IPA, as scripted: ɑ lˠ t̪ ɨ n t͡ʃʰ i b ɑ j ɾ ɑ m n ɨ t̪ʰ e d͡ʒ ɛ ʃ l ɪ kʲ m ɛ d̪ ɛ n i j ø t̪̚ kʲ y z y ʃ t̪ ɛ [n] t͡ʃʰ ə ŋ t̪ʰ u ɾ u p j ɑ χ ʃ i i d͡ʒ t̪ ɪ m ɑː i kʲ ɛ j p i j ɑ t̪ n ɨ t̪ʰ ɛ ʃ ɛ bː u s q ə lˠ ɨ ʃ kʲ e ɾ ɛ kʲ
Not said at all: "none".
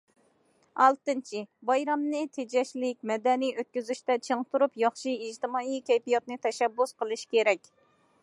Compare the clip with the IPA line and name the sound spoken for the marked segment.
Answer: none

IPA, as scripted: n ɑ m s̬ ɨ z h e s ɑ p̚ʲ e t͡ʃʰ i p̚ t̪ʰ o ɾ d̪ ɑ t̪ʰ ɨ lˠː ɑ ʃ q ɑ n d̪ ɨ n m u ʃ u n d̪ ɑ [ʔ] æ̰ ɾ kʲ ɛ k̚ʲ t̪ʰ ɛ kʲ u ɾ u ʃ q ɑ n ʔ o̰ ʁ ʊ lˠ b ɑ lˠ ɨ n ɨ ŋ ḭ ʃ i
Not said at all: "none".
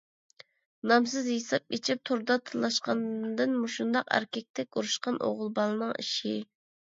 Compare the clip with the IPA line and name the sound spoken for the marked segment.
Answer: q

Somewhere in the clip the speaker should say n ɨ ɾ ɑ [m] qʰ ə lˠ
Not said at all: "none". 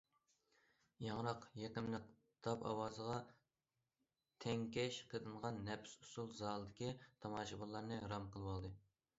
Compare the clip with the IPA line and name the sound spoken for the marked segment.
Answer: m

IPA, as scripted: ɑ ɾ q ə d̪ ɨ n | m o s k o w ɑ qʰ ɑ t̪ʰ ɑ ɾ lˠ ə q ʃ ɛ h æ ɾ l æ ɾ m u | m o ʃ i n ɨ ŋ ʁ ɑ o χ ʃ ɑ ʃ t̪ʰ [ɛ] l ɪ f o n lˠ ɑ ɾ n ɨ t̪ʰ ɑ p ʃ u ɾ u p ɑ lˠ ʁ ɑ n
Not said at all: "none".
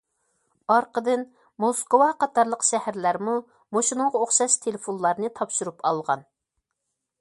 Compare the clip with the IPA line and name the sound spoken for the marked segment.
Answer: e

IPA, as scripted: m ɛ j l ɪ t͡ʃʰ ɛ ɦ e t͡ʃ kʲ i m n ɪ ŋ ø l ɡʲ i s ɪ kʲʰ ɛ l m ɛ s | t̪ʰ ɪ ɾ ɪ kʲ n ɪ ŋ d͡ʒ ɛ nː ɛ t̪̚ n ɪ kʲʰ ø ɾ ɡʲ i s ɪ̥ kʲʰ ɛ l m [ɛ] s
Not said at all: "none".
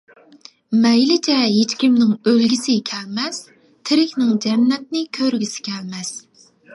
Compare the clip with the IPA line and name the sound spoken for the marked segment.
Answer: ɛ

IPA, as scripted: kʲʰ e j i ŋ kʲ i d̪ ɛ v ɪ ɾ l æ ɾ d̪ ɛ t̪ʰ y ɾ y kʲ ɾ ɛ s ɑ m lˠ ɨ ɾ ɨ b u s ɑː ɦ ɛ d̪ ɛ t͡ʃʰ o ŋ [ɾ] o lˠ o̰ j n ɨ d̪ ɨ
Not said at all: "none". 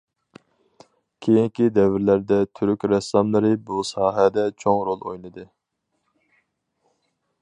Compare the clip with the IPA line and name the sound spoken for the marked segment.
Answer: ɾ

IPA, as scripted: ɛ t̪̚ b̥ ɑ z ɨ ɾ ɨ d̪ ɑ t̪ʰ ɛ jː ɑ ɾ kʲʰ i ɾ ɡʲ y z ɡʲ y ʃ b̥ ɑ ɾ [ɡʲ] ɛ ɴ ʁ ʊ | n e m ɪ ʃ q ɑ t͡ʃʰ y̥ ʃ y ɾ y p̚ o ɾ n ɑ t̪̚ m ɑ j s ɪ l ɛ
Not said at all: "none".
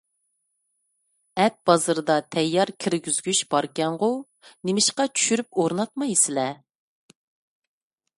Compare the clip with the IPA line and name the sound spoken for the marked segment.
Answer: kʲ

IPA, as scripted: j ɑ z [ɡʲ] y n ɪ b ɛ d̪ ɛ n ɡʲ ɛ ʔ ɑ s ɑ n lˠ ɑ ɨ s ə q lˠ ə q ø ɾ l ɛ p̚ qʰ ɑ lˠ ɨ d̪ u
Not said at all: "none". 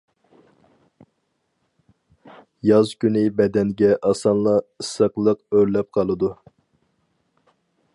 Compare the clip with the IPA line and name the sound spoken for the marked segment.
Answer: kʲ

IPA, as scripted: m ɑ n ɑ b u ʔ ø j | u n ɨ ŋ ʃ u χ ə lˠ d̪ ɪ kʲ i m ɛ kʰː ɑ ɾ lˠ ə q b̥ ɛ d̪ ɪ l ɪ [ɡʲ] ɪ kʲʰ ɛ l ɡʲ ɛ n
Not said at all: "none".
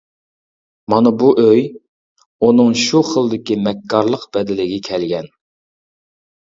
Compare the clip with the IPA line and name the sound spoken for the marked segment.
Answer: ɡʲ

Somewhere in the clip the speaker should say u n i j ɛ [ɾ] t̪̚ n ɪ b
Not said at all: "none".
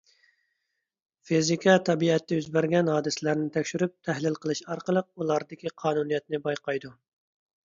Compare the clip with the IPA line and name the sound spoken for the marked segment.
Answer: none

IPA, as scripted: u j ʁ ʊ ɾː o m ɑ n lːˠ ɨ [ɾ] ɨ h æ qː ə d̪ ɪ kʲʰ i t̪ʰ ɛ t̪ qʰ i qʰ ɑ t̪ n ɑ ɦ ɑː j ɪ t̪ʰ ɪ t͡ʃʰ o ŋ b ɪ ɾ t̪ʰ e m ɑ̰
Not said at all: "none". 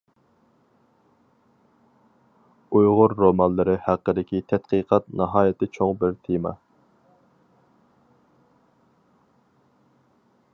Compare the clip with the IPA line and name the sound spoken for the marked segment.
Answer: ɾ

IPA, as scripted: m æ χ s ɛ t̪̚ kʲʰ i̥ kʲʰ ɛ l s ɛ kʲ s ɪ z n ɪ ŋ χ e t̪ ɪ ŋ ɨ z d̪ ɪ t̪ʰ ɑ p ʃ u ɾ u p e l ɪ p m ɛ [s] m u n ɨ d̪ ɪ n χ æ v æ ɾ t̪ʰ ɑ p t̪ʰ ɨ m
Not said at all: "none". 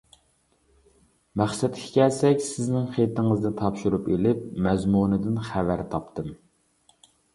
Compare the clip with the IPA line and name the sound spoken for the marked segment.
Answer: z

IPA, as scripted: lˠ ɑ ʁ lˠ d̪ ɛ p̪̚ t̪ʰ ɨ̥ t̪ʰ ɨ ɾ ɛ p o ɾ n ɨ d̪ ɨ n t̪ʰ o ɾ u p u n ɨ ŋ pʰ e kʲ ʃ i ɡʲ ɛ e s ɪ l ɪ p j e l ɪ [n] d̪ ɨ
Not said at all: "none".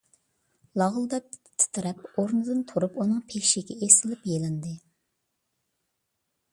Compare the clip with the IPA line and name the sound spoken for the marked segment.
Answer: n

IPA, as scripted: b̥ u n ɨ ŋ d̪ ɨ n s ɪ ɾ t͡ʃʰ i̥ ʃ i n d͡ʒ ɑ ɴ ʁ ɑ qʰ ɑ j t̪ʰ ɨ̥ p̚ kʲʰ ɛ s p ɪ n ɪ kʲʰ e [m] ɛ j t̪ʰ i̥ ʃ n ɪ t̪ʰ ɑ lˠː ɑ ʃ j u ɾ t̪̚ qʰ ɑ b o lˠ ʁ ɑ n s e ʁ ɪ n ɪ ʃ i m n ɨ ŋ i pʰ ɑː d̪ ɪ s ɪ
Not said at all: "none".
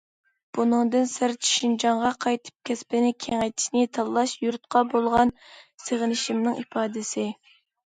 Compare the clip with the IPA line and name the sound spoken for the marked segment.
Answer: ŋ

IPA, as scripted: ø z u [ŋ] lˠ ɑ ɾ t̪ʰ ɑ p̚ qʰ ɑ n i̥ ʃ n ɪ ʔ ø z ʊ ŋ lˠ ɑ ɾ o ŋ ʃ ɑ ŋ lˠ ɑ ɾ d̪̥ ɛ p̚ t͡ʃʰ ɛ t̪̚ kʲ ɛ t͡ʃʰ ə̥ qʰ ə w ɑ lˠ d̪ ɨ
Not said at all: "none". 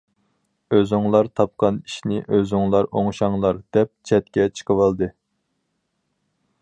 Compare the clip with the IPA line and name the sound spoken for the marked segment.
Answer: ŋ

